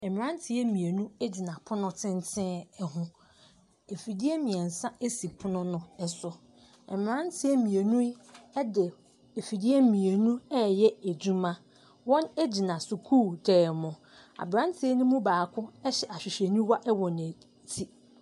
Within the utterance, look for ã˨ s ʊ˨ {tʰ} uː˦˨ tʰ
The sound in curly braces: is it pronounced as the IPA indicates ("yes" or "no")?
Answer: no